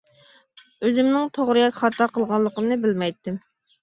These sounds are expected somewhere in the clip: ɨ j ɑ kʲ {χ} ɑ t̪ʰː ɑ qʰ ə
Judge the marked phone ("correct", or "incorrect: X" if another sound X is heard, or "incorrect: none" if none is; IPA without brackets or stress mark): correct